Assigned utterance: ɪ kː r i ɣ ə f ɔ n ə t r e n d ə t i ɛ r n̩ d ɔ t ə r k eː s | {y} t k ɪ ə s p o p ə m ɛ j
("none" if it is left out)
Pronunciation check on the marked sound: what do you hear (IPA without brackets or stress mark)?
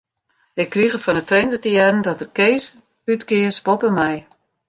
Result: y